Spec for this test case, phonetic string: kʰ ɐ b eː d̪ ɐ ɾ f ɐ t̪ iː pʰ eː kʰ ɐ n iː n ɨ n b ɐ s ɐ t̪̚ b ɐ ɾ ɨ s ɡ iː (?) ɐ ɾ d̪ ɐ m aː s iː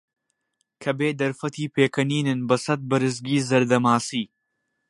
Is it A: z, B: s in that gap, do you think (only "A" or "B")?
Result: A